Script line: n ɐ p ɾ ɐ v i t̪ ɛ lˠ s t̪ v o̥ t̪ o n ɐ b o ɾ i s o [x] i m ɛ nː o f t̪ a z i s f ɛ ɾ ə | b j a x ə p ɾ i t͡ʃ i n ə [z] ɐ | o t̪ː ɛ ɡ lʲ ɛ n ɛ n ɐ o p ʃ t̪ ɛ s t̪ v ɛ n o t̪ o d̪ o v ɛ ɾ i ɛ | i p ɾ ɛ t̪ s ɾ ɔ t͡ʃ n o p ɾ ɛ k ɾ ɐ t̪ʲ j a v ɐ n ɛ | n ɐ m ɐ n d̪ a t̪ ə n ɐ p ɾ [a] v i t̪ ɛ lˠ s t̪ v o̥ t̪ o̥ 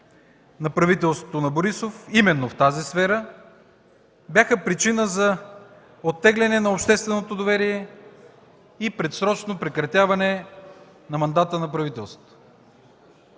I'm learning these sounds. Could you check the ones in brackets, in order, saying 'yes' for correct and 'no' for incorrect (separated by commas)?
no, yes, no